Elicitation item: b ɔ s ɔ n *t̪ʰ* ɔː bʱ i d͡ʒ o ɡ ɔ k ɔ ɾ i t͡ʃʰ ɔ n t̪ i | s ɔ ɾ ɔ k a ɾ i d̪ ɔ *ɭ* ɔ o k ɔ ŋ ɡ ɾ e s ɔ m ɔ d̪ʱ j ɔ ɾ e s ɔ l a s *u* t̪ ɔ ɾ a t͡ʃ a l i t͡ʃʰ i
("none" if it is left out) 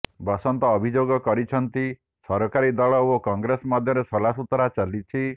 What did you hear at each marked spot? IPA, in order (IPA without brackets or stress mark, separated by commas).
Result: t̪, ɭ, u